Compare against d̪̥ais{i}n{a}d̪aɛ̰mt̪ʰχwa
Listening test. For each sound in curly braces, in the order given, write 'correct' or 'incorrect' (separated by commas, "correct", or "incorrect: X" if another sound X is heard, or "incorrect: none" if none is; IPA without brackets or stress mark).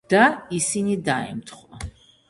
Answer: correct, incorrect: i